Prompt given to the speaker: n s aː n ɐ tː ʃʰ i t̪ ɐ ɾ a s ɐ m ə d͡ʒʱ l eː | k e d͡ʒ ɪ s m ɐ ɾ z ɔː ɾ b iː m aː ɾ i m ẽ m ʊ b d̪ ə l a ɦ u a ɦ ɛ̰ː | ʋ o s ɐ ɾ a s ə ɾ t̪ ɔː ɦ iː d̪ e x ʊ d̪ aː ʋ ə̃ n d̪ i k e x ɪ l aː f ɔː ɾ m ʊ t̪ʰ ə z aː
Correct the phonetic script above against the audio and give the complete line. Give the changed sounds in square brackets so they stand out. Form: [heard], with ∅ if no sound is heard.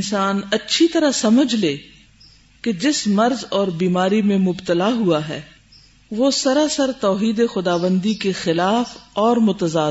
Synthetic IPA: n s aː n ɐ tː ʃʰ i t̪ ɐ ɾ a s ɐ m ə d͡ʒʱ l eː | k e d͡ʒ ɪ s m ɐ ɾ z ɔː ɾ b iː m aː ɾ i m ẽ m ʊ b [t̪] ə l a ɦ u a ɦ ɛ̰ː | ʋ o s ɐ ɾ a s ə ɾ t̪ ɔː ɦ iː d̪ e x ʊ d̪ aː ʋ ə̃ n d̪ i k e x ɪ l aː f ɔː ɾ m ʊ [t̪] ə z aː